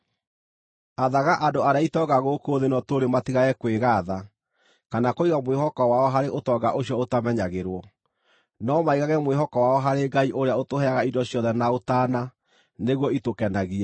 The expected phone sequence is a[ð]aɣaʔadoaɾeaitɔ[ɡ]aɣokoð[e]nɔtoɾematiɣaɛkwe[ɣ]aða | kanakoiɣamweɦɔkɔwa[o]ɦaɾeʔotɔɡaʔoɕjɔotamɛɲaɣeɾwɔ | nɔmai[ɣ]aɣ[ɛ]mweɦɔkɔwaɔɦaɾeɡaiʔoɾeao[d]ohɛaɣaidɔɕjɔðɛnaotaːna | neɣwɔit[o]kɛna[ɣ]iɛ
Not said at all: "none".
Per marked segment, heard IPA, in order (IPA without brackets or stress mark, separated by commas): ð, ɡ, e, ɣ, ɔ, ɣ, ɛ, t, o, ɣ